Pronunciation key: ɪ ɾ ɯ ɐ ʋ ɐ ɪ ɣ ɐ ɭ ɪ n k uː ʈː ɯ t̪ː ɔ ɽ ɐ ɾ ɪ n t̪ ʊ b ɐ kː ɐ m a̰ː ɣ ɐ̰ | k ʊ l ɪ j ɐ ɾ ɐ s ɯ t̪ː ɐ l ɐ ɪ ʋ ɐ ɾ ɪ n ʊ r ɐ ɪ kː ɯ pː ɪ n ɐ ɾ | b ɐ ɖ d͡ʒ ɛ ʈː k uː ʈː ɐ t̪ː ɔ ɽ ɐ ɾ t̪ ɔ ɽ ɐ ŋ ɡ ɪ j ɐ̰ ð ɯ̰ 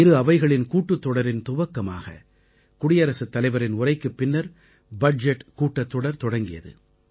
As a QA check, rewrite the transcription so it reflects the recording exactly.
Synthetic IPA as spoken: ɪ ɾ ɯ ɐ ʋ ɐ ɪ ɣ ɐ ɭ ɪ n k uː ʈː ɯ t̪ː ɔ ɽ ɐ ɾ ɪ n t̪ ʊ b ɐ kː ɐ m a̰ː ɣ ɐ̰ | k ʊ ɽ ɪ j ɐ ɾ ɐ s ɯ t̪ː ɐ l ɐ ɪ ʋ ɐ ɾ ɪ n ʊ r ɐ ɪ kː ɯ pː ɪ nː ɐ ɾ | b ɐ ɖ d͡ʒ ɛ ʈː k uː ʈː ɐ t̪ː ɔ ɽ ɐ ɾ t̪ ɔ ɽ ɐ ŋ ɡ ɪ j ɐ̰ ð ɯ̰